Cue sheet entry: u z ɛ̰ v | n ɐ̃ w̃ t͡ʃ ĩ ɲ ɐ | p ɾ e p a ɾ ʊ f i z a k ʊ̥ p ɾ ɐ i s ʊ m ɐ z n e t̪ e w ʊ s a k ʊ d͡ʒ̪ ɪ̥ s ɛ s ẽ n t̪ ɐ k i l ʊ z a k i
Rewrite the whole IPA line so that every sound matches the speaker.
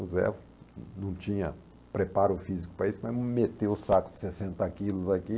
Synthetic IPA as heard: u z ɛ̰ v | n ɐ̃ w̃ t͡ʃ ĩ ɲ ɐ | p ɾ e p a ɾ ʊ f i z i k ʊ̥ p ɾ ɐ i s ʊ m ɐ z m e t̪ e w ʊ s a k ʊ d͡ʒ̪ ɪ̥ s e s ẽ n t̪ ɐ k i l ʊ z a k i